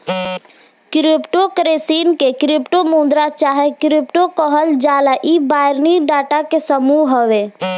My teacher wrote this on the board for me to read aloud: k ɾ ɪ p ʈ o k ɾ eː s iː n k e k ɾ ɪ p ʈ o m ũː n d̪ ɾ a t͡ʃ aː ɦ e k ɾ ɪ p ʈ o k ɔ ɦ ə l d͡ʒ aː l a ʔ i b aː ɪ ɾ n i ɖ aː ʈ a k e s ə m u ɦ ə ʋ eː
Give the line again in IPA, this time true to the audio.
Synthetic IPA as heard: k ɾ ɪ p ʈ o k ɾ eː s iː n k e k ɾ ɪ p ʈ o m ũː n d̪ ɾ a t͡ʃ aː ɦ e k ɾ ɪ p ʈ o k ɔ ɦ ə l d͡ʒ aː l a ʔ i b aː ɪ ɾ n i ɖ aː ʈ a k e s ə m u ɦ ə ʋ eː